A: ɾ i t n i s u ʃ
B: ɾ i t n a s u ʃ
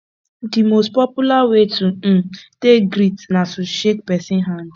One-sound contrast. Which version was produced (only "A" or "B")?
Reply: B